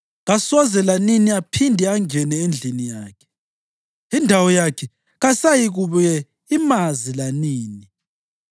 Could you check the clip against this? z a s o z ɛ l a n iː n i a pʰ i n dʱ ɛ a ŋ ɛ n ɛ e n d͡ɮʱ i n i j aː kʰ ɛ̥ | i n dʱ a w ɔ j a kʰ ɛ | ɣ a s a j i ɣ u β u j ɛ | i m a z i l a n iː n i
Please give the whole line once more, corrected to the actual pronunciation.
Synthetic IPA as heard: ɣ a s ɔ z ɛ l a n i n i a pʰ i n dʱ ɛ a ŋ ɛ n ɛ e n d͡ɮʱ i n i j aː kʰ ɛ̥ | i n dʱ a w ɔ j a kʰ ɛ | ɣ a s a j i ɣ u β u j ɛ | i m a z i l a n iː n i